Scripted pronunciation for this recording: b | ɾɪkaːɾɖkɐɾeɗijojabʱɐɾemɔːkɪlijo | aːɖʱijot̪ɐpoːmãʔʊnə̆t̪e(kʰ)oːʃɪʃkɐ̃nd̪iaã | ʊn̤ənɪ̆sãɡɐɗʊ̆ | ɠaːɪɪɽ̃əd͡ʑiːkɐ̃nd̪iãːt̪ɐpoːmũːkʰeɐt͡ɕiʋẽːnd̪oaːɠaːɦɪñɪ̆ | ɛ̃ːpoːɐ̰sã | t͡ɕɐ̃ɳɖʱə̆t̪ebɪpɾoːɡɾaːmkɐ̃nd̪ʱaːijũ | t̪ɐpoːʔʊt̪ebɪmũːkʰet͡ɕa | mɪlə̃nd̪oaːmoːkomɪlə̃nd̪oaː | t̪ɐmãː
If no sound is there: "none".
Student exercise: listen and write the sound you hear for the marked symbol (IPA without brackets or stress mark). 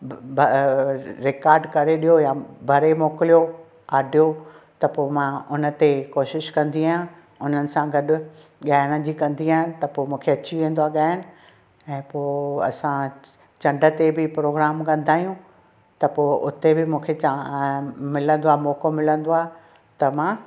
k